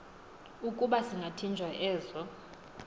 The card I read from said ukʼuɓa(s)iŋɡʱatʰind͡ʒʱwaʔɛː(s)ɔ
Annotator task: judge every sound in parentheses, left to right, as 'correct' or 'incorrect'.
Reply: correct, incorrect: z

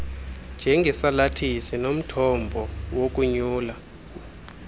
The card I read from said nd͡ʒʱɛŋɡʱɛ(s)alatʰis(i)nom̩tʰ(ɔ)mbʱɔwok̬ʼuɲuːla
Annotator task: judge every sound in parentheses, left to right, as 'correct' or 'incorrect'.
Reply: correct, correct, correct

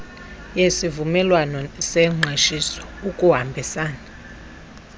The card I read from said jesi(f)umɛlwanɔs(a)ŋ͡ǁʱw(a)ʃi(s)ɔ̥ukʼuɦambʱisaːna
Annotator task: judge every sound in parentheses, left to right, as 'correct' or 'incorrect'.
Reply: incorrect: v, incorrect: ɛ, incorrect: e, correct

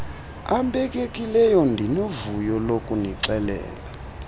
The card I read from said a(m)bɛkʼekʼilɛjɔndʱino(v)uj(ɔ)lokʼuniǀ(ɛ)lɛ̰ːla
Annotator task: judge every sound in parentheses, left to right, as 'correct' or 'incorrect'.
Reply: correct, correct, correct, correct

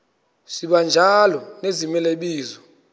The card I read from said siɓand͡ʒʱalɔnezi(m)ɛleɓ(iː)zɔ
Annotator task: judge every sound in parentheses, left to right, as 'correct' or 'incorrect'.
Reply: correct, correct

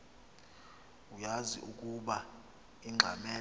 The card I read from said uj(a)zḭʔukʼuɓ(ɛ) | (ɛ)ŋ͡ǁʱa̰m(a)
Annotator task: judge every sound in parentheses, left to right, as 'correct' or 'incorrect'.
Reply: correct, incorrect: a, incorrect: i, incorrect: ɛ

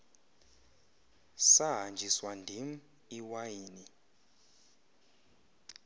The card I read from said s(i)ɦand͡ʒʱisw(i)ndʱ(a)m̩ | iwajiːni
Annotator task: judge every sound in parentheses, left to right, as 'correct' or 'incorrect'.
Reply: incorrect: a, incorrect: a, incorrect: i

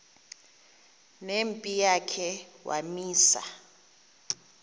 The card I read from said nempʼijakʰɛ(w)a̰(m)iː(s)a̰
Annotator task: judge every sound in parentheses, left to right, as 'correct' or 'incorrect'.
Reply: correct, correct, correct

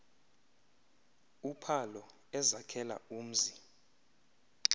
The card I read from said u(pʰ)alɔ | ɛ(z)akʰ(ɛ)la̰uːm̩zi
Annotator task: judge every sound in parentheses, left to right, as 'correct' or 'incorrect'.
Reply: correct, correct, correct

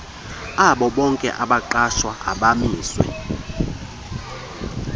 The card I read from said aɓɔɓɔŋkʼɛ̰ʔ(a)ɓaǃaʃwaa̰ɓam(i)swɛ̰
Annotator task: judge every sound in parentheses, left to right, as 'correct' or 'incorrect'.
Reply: correct, incorrect: iː

